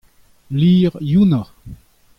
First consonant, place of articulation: alveolar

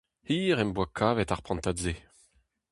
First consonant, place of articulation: glottal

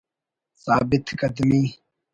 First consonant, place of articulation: alveolar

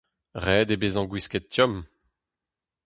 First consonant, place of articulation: uvular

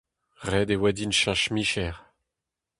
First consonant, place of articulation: uvular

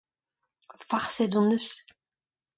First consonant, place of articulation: labial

